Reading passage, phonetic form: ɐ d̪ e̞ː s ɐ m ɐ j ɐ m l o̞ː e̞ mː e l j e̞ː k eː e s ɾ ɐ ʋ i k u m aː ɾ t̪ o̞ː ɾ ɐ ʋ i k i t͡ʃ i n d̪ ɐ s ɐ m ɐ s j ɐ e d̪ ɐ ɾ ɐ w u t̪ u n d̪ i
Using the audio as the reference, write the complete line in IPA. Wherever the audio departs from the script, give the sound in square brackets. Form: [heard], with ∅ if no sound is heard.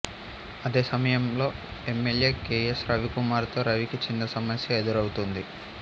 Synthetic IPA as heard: ɐ d̪ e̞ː s ɐ m ɐ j ɐ m l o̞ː e̞ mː e l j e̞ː k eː e s ɾ ɐ ʋ i k u m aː ɾ t̪ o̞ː ɾ ɐ ʋ i k i t͡ʃ i n d̪ ɐ s ɐ m ɐ s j ɐ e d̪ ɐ ɾ ɐ w u t̪ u n d̪ i